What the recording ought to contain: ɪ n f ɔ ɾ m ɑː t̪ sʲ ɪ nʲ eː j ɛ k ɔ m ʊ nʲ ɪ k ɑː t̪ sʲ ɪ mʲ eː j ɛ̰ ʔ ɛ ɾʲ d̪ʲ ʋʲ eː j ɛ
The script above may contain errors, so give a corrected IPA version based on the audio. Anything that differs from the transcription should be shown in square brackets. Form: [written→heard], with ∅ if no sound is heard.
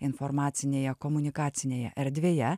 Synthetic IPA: ɪ n f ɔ ɾ m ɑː t̪ sʲ ɪ nʲ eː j ɛ k ɔ m ʊ nʲ ɪ k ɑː t̪ sʲ ɪ [mʲ→nʲ] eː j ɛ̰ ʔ ɛ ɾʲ d̪ʲ ʋʲ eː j ɛ